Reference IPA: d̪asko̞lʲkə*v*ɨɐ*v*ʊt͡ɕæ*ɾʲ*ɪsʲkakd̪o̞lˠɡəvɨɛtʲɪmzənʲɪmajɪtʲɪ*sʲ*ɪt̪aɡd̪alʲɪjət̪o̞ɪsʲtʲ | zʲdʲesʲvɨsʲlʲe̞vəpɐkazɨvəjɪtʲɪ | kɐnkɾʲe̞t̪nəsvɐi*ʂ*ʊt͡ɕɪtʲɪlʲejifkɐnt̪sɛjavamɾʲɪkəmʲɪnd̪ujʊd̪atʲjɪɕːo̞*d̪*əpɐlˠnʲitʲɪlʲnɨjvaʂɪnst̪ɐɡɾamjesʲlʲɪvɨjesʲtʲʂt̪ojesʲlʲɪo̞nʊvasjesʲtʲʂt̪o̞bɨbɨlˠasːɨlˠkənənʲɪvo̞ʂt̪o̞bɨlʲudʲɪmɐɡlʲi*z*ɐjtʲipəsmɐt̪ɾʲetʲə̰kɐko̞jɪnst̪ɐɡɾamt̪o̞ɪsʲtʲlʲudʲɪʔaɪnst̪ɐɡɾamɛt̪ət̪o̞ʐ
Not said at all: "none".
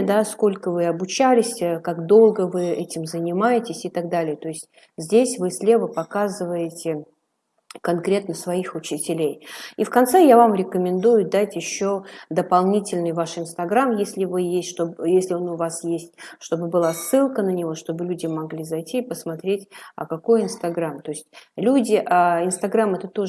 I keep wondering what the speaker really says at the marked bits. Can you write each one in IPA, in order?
v, b, lʲ, sʲ, x, d̪, z

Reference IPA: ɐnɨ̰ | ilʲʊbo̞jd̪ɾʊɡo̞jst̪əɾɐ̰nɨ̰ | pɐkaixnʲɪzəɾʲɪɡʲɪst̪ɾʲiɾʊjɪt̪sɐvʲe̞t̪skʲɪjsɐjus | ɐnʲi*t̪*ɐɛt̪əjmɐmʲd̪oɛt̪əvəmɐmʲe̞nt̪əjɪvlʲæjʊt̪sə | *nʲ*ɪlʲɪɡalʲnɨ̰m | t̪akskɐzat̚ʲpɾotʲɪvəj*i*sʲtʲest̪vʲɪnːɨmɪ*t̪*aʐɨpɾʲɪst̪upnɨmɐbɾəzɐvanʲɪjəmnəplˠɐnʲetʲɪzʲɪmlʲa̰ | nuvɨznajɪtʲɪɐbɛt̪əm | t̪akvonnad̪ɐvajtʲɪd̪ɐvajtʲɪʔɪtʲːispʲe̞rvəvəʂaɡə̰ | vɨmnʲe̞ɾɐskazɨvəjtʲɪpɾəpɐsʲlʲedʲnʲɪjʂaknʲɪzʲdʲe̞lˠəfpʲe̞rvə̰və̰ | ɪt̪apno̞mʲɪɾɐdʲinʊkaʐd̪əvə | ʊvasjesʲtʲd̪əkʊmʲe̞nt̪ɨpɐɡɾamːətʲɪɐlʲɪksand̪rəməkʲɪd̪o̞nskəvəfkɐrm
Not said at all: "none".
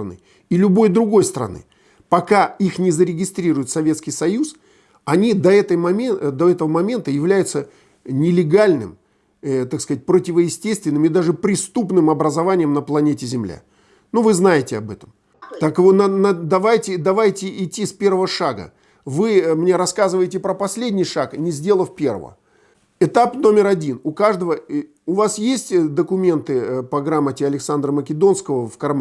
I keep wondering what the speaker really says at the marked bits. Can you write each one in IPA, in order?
d̪, nʲ, ɪ, d̪

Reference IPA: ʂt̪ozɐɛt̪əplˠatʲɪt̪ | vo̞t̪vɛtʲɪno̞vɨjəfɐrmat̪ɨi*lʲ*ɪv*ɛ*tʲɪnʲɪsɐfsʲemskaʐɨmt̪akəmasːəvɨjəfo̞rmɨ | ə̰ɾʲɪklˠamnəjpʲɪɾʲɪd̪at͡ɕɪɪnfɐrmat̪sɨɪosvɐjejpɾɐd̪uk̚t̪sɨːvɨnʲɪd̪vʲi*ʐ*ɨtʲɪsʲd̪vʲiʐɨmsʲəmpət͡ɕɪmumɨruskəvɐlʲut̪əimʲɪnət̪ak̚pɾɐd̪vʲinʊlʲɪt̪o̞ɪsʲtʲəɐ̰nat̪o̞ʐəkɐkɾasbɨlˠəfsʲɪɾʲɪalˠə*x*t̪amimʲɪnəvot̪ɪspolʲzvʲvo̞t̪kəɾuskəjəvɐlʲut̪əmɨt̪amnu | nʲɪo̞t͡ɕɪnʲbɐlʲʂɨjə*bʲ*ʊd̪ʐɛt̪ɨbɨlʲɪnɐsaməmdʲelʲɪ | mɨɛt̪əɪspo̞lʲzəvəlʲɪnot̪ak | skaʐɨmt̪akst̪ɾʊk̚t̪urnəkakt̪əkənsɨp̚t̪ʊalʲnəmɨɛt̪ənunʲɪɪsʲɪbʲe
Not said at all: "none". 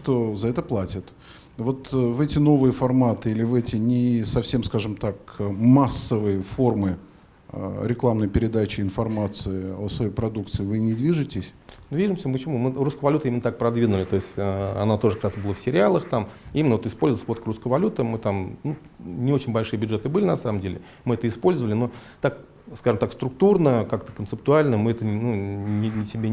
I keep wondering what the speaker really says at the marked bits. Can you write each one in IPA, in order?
lʲ, ɛ, ʐ, x, bʲ

